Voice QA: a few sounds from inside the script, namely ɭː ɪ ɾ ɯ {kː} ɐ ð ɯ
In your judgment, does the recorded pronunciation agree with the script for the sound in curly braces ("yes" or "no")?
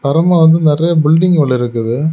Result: yes